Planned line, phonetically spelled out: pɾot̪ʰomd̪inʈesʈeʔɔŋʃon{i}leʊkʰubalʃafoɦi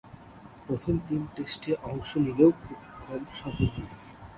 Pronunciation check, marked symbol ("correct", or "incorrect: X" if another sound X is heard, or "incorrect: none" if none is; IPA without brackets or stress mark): correct